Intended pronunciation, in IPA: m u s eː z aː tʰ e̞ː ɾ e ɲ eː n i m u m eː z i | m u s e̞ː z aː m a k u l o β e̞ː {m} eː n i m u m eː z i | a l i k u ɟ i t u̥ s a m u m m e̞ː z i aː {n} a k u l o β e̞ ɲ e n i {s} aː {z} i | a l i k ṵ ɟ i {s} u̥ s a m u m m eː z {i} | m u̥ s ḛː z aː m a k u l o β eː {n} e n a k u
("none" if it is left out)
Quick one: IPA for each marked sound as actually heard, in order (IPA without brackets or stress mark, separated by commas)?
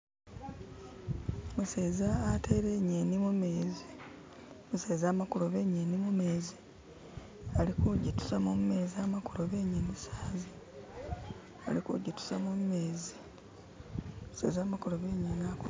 ɲ, m, s, z, t, i, ɲ